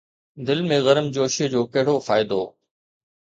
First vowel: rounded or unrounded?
unrounded